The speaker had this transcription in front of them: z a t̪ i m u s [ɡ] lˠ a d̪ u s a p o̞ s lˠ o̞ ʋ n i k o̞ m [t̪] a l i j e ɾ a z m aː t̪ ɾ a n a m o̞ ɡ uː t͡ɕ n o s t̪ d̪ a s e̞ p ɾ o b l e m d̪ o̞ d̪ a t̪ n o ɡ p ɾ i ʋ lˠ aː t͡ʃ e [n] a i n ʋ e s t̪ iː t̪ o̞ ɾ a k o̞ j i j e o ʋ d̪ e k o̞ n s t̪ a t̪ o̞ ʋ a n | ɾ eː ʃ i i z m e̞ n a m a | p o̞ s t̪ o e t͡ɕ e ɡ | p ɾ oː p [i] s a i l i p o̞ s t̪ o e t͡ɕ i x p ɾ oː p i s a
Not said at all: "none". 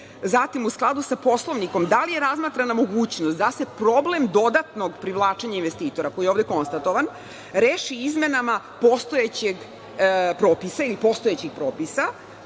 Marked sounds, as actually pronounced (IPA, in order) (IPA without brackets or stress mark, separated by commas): k, d̪, ɲ, i